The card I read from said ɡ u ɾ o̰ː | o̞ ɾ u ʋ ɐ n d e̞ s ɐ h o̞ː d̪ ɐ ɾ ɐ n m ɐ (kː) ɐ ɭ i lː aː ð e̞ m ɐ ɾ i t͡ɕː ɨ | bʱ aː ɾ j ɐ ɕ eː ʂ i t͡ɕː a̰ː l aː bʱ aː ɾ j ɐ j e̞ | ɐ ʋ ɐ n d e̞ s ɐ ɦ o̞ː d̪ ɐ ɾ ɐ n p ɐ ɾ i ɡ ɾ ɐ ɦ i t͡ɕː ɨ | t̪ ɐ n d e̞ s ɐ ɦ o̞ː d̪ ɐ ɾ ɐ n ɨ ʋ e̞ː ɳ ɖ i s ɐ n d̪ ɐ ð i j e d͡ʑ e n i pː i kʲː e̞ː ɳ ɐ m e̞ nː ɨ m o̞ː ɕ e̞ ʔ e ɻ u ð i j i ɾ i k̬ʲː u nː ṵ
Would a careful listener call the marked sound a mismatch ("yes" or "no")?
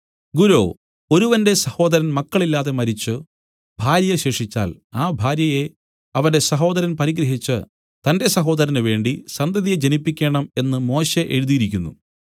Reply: no